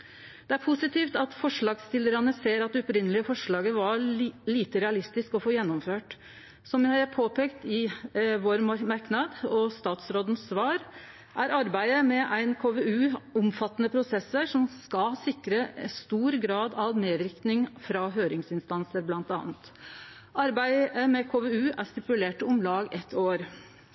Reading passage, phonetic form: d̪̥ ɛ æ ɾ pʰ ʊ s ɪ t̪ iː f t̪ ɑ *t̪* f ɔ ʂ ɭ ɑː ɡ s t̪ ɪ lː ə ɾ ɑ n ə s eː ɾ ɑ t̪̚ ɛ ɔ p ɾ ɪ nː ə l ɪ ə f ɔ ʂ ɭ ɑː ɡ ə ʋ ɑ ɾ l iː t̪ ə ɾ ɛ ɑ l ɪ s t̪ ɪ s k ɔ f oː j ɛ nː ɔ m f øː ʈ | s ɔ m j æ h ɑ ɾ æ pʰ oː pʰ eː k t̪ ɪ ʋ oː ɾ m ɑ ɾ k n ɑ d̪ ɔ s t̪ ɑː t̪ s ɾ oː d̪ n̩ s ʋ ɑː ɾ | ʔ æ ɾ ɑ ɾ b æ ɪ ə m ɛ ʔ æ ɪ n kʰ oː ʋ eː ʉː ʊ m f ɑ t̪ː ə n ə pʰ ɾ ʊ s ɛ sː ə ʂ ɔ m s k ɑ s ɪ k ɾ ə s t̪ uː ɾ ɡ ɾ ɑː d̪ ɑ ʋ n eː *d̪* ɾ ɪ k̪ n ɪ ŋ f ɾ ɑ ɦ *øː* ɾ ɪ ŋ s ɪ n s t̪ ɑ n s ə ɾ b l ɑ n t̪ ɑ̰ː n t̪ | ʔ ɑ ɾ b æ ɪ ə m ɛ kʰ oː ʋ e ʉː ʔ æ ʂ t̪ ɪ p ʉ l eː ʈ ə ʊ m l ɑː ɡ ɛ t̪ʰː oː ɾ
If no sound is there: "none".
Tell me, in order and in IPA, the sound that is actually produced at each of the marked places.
t̪, d̪, øː

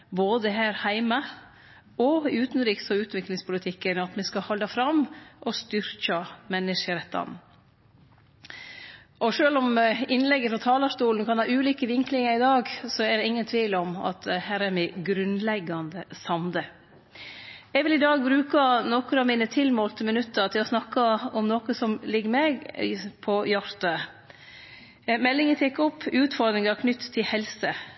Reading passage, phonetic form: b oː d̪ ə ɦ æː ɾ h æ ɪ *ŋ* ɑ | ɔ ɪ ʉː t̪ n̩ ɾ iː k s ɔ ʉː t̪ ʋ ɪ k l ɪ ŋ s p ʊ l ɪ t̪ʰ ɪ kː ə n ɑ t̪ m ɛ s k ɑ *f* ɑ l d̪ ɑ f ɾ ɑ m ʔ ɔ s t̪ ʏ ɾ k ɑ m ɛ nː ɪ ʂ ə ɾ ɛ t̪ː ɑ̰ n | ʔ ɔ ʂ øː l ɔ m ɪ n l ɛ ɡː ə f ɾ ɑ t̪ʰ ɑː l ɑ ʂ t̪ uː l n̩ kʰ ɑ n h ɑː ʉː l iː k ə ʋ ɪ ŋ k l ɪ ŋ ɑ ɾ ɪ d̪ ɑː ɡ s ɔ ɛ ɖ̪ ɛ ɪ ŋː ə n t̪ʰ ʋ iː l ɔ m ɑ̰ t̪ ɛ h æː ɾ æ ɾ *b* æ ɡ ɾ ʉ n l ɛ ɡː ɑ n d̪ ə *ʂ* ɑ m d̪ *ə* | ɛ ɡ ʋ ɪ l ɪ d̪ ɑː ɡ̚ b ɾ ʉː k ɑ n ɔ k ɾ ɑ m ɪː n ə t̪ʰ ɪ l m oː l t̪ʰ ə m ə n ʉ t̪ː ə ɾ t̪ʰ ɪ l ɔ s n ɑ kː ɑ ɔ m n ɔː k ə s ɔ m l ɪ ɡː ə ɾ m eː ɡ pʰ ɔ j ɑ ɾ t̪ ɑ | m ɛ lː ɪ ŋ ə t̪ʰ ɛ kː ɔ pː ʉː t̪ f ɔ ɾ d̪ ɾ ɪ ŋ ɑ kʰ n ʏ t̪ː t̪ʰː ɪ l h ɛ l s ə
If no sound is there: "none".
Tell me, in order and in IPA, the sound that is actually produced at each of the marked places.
m, h, m, s, ə

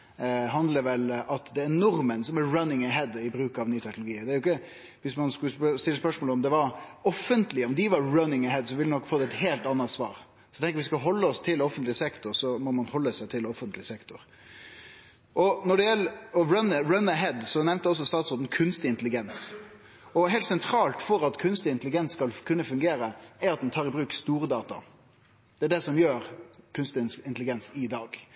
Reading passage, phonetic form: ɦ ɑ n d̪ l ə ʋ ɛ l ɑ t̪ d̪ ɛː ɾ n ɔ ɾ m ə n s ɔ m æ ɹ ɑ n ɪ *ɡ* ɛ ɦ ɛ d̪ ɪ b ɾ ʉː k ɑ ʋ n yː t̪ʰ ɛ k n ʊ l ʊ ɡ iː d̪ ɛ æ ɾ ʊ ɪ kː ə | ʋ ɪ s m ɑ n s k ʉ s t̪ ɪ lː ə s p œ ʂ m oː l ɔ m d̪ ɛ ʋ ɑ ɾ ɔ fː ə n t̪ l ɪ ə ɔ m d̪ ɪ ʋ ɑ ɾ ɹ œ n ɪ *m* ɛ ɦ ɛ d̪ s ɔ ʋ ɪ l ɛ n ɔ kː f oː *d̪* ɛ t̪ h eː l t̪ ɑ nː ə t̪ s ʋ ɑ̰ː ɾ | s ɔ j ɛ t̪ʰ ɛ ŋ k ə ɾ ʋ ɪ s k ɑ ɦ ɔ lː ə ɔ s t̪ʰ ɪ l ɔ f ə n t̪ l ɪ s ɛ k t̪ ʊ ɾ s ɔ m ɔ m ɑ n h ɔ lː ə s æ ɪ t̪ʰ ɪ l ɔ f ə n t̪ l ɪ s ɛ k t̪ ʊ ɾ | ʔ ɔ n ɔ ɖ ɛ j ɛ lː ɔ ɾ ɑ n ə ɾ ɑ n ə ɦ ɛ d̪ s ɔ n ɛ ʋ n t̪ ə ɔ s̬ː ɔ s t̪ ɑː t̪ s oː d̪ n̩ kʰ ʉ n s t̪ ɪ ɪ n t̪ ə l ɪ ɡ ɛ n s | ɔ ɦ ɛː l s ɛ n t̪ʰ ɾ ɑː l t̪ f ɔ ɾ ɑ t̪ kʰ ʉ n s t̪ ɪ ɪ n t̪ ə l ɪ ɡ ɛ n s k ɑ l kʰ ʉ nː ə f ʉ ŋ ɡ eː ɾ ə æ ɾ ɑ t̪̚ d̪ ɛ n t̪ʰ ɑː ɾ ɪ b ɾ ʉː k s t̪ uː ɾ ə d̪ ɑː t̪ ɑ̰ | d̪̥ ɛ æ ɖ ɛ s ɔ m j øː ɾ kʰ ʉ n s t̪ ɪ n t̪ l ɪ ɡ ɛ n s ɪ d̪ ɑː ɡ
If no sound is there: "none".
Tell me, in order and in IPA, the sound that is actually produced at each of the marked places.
ŋ, ŋ, d̪

